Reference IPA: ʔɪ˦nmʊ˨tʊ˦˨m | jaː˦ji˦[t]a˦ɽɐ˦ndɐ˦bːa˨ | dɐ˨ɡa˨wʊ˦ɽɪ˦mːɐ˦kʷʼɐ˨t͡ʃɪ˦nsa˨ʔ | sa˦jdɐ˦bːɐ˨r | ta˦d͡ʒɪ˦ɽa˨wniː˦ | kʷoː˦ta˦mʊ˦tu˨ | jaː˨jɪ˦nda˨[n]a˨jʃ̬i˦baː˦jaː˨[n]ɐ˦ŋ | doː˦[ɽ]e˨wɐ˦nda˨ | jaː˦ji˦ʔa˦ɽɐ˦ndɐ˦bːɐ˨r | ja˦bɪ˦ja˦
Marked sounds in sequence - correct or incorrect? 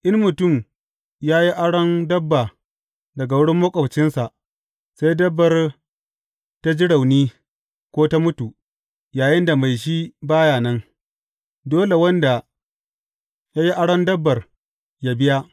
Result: incorrect, incorrect, correct, incorrect

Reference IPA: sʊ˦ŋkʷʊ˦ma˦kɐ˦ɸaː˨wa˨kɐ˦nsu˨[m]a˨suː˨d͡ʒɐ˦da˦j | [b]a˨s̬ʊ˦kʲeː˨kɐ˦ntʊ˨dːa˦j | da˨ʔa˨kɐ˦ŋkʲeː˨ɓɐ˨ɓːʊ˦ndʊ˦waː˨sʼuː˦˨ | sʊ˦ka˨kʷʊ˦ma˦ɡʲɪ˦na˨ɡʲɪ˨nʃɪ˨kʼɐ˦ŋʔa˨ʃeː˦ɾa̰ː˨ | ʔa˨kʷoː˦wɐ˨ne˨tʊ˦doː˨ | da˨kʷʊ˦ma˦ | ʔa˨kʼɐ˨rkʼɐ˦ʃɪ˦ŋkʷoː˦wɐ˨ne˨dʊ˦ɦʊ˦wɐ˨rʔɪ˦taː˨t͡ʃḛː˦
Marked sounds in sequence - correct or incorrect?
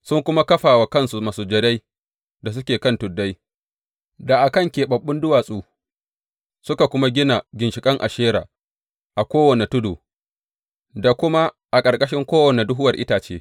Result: correct, incorrect

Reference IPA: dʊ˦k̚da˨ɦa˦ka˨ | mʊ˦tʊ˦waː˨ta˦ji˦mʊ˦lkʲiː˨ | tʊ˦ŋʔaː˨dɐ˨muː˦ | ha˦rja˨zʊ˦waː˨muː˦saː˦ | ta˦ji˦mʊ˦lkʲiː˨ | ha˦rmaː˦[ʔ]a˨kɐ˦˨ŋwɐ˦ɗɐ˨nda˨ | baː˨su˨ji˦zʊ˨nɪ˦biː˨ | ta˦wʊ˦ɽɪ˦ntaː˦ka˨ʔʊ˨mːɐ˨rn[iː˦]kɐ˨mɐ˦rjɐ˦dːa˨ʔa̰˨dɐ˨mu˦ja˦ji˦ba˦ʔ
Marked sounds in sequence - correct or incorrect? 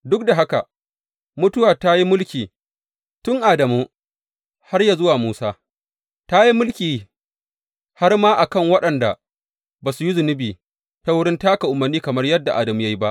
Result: correct, correct

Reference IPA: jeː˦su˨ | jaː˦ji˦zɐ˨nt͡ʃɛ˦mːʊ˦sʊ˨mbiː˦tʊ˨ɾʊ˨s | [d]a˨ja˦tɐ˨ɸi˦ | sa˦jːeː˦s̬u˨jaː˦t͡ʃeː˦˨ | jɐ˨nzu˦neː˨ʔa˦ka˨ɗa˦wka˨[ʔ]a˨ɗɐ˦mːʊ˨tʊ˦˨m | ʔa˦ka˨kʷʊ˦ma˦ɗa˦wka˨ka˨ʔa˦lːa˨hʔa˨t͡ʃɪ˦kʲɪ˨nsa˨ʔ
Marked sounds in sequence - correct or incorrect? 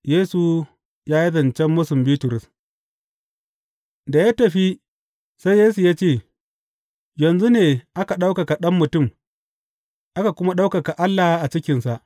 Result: correct, incorrect

